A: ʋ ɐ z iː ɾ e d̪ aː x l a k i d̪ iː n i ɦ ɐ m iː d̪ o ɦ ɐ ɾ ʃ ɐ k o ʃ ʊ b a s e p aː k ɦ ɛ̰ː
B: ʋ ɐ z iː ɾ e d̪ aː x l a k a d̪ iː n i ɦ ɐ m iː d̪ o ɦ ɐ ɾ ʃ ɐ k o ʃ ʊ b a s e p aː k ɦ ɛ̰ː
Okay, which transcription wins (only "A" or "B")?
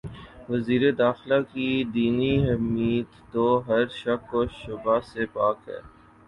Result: A